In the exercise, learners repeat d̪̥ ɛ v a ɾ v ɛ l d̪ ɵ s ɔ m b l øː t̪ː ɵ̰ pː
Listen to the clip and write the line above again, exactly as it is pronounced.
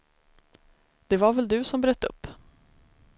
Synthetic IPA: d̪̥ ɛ v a ɾ v ɛ l d̪ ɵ s ɔ m b ɾ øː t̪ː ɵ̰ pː